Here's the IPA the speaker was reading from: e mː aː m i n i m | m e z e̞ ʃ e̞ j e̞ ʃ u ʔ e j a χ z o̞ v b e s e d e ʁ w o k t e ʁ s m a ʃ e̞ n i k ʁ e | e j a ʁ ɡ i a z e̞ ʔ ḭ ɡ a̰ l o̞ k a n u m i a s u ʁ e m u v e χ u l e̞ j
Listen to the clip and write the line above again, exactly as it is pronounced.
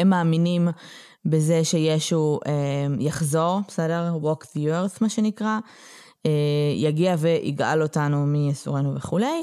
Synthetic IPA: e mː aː m i n i m | b e z e̞ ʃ e̞ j e̞ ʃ u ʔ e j a χ z o̞ ʁ b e s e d e ʁ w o k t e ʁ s m a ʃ e̞ n i k ʁ a | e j a ɡ i a v e̞ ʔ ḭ ɡ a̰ l o̞ t a n u m i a s u ʁ e n u v e χ u l e̞ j